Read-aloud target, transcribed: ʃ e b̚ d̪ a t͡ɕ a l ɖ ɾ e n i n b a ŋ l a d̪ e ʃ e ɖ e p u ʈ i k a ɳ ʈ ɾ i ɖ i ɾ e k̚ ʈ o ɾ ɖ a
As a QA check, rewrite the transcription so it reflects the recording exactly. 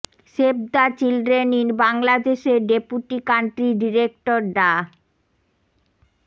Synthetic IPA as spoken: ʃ e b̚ d̪ a t͡ɕ i l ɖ ɾ e n i n b a ŋ l a d̪ e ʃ e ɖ e p u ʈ i k a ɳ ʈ ɾ i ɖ i ɾ e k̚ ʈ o ɾ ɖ a